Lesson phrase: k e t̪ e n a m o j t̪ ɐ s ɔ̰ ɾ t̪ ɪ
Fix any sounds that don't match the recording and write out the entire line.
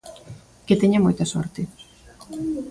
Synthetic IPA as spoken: k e t̪ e ɲ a m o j t̪ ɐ s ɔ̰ ɾ t̪ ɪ